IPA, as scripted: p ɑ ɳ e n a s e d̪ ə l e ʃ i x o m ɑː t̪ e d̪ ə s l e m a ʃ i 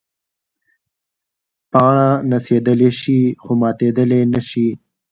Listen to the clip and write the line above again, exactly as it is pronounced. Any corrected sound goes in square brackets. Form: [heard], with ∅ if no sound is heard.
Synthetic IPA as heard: p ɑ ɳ [a] n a s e d̪ ə l e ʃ i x o m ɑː t̪ e d̪ ə [∅] l e [n] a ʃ i